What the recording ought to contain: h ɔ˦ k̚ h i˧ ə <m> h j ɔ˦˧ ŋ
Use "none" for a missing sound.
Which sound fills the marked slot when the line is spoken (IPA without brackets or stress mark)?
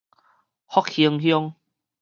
ŋ